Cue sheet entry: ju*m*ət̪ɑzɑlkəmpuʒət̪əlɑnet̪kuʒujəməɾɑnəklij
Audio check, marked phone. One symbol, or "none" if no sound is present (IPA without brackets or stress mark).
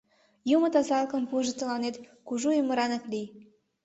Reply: m